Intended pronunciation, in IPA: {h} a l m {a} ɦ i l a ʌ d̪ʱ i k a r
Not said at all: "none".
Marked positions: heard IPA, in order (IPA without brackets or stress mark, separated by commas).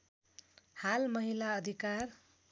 h, ʌ